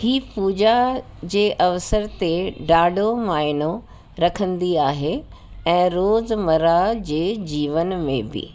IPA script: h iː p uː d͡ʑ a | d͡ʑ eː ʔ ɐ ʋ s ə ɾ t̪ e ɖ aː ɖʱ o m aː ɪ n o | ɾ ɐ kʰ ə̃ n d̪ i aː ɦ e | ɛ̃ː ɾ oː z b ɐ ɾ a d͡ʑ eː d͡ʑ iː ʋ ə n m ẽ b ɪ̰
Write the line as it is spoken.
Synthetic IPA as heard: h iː p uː d͡ʑ a | d͡ʑ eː ʔ ɐ ʋ s ə ɾ t̪ e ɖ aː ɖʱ o m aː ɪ n o | ɾ ɐ kʰ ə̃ n d̪ i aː ɦ e | ɛ̃ː ɾ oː z m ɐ ɾ a d͡ʑ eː d͡ʑ iː ʋ ə n m ẽ b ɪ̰